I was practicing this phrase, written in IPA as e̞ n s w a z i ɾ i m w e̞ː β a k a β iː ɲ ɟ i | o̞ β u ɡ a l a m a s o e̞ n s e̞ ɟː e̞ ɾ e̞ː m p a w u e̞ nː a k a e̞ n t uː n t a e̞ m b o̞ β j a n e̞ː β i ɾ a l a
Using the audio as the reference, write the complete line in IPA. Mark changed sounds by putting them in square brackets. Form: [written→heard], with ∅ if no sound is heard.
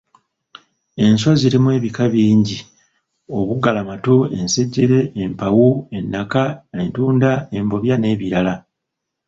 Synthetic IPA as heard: e̞ n s w a z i ɾ i m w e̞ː β [a→i] k a β iː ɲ ɟ i | o̞ β u ɡ a l a m a [s→t] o e̞ n s e̞ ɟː e̞ ɾ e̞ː m p a w u e̞ nː a k a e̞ n t uː n [t→d] a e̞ m b o̞ β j a n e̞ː β i ɾ a l a